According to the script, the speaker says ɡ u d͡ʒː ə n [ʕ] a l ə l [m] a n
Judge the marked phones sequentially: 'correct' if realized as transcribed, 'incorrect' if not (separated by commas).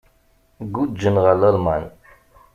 incorrect, correct